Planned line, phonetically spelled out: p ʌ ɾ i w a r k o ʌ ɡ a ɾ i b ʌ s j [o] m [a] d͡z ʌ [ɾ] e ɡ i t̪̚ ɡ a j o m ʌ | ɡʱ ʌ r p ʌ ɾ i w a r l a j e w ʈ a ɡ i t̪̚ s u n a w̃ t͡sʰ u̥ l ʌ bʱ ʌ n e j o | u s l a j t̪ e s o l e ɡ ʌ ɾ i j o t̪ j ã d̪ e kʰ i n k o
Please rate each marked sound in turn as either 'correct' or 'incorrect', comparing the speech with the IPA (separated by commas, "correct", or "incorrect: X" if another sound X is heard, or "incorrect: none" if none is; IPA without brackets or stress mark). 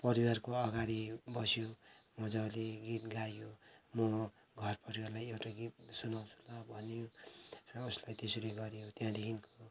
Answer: correct, incorrect: ʌ, incorrect: l